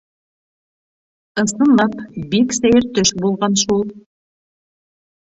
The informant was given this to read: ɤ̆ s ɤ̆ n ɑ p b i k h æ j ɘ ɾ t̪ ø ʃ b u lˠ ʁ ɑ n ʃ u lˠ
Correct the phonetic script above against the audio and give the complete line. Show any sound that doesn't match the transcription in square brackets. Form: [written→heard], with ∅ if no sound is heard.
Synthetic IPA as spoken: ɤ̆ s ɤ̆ n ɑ p b i k [h→s] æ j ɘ ɾ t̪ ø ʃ b u lˠ ʁ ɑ n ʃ u lˠ